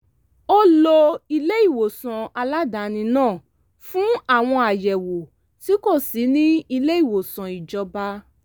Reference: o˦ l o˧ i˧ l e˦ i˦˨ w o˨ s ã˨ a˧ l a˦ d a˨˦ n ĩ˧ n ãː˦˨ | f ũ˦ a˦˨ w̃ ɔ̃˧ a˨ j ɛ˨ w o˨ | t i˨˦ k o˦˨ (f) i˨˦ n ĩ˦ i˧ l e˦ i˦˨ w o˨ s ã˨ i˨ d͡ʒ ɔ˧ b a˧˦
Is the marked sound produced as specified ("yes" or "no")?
no